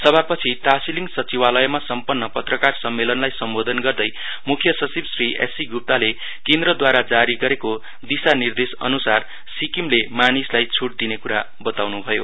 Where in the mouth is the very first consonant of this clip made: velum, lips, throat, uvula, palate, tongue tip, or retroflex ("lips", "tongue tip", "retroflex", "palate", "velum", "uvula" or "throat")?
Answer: tongue tip